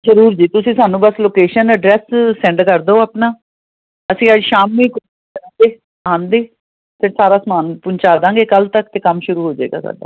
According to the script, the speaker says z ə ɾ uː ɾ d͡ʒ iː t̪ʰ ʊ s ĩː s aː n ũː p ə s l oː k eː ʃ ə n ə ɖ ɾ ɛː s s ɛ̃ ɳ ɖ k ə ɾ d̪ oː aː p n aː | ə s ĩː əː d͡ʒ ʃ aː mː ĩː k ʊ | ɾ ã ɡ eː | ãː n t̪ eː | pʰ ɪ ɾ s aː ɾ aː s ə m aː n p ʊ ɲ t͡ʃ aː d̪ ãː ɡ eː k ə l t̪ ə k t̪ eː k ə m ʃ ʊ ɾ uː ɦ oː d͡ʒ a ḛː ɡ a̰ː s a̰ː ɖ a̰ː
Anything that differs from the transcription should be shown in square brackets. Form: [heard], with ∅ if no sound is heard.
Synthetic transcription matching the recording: z ə ɾ uː ɾ d͡ʒ iː [t̪] ʊ s ĩː s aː n ũː [b] ə s l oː k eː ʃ ə n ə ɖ ɾ ɛː s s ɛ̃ ɳ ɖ k ə ɾ d̪ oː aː p n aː | ə s ĩː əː d͡ʒ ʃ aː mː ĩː k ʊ | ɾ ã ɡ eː | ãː n [d̪] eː | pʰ ɪ ɾ s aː ɾ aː s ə m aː n p ʊ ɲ t͡ʃ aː d̪ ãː ɡ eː k ə l t̪ ə k t̪ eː k ə m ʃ ʊ ɾ uː ɦ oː d͡ʒ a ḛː ɡ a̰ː s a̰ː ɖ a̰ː